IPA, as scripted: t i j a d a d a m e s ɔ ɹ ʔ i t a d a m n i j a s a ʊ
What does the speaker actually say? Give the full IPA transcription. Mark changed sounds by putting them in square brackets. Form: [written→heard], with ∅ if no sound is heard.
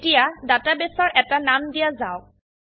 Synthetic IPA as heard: t i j a d a [d→t] a [m→b] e s ɔ ɹ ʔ [i→ɛ] t a [d→n] a m [n→d] i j a [s→z] a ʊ